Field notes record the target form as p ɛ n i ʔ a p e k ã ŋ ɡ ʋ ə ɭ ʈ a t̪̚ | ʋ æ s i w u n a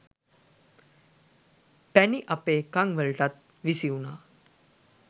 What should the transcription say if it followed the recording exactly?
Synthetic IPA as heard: p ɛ n i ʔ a p e k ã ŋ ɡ ʋ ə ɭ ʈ a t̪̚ | ʋ i s i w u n a